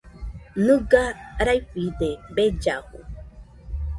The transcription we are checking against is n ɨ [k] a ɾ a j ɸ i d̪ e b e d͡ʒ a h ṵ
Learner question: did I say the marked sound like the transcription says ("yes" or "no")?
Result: no